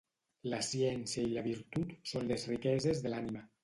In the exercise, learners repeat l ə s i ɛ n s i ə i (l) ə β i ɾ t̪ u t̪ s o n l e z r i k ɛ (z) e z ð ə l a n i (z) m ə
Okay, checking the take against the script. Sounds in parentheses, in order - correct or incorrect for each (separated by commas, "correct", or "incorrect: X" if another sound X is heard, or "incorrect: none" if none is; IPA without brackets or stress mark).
correct, correct, incorrect: none